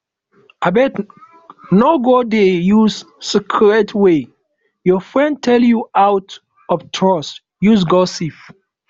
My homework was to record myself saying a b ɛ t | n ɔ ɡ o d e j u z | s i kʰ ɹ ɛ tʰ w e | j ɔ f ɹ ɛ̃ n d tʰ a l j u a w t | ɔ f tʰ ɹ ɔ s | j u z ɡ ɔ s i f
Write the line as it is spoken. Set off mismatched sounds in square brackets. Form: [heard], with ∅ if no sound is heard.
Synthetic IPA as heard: a b ɛ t | n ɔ ɡ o d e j u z | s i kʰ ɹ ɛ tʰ w e | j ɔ f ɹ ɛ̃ n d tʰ [ɛ] l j u a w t | ɔ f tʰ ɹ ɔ s | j u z ɡ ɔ s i f